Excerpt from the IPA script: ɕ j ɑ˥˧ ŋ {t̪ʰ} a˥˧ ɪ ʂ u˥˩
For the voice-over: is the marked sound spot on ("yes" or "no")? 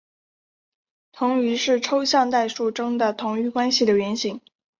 no